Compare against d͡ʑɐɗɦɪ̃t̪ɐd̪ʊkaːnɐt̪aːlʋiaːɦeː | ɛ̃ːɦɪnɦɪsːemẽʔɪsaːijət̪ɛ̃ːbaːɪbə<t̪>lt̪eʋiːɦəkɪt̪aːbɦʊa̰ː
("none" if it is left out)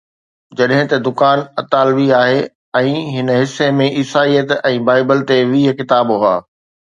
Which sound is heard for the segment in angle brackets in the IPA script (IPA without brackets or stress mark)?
none